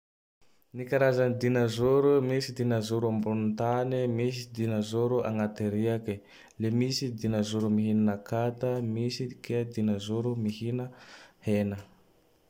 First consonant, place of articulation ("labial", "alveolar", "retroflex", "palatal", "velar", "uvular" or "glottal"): alveolar